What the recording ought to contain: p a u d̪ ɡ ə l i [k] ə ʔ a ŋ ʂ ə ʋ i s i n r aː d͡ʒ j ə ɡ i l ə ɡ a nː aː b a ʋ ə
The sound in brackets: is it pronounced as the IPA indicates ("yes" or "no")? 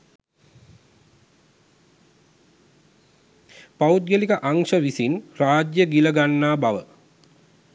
yes